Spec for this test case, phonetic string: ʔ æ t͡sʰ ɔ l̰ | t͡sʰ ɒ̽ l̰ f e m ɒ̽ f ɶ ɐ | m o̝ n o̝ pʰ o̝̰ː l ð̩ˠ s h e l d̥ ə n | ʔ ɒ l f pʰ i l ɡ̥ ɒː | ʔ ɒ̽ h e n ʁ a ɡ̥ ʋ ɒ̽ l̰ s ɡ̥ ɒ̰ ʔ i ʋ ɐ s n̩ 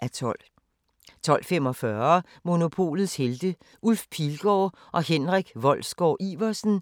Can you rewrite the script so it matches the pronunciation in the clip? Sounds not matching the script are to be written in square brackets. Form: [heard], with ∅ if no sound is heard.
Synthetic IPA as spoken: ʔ æ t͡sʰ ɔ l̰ | t͡sʰ ɒ̽ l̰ f e m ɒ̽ f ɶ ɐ | m o̝ n o̝ pʰ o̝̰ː l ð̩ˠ s h e l d̥ ə [∅] | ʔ [u] l f pʰ i l ɡ̥ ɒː | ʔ ɒ̽ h e n ʁ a ɡ̥ ʋ ɒ̽ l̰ s ɡ̥ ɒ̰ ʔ i ʋ ɐ s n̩